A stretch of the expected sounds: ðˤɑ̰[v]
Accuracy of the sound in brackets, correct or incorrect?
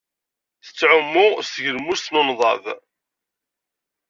correct